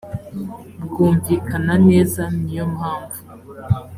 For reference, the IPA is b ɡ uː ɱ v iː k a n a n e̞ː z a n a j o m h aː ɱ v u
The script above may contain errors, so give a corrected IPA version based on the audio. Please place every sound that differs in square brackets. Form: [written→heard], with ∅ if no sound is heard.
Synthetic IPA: b ɡ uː ɱ v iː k a n a n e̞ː z a n [a→i] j o m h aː ɱ v u